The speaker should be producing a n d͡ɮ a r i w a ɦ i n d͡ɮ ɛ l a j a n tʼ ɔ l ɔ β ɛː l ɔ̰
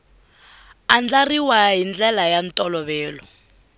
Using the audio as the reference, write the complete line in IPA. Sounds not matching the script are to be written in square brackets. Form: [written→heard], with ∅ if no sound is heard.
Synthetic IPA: a n d͡ɮ a r i w a ɦ i n d͡ɮ ɛ l a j a n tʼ ɔ l ɔ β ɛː l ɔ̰